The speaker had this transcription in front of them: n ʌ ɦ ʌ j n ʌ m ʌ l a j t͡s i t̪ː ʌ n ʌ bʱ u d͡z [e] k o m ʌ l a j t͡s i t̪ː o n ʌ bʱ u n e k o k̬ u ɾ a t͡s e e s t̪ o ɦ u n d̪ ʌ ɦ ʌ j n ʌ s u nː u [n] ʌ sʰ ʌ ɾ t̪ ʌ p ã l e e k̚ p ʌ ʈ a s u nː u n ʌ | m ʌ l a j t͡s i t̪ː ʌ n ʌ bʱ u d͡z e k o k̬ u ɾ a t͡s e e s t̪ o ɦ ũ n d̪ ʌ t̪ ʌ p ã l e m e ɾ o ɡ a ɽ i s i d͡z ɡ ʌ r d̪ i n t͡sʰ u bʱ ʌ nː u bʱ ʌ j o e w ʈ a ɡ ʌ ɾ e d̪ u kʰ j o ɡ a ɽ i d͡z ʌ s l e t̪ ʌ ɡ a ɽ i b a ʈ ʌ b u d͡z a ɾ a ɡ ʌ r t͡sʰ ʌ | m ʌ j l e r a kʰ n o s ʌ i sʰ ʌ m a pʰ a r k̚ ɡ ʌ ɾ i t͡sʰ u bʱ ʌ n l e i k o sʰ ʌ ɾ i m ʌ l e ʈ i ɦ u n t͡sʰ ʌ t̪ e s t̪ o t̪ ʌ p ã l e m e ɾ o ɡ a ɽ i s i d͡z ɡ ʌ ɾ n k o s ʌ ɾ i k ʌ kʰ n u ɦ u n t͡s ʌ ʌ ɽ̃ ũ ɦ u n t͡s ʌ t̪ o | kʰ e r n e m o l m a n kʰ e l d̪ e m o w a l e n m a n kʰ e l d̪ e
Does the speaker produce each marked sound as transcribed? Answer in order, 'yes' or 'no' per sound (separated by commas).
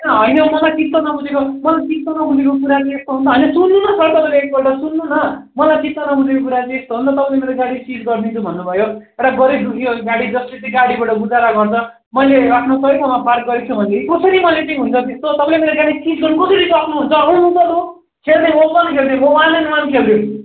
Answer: yes, yes